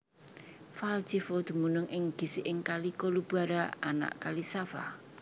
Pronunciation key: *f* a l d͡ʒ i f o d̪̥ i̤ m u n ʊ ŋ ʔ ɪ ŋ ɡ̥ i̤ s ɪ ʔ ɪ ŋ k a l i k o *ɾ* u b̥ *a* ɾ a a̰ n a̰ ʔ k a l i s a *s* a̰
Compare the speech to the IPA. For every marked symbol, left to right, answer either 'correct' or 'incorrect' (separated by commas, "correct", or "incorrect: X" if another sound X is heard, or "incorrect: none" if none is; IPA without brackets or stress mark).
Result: correct, incorrect: l, correct, incorrect: f